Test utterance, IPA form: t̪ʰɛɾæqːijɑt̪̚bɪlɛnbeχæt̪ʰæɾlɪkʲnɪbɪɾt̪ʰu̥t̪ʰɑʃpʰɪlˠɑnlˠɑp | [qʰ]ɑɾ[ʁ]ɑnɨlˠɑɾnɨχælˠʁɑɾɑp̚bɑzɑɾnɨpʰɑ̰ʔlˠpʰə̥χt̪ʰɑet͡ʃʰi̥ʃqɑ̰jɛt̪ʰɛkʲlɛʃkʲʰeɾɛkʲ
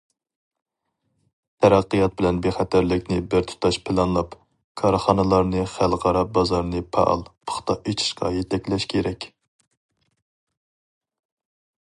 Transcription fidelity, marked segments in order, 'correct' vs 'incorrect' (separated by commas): incorrect, incorrect